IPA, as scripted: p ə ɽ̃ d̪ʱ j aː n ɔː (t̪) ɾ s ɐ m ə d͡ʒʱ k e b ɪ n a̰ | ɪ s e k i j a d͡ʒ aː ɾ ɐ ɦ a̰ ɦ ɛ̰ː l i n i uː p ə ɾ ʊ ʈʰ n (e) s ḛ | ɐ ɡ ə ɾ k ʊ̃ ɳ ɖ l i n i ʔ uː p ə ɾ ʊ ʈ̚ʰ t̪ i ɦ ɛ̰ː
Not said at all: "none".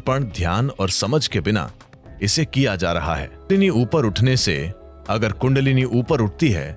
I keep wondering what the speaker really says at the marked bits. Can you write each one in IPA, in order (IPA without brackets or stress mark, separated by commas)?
none, e